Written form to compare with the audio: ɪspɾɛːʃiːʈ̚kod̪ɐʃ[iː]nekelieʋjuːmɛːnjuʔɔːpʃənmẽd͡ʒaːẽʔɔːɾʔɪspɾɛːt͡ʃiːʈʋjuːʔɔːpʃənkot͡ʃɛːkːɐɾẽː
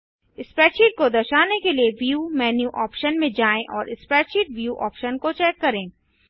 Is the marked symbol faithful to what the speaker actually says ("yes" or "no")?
no